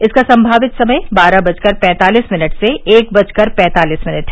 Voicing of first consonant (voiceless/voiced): voiceless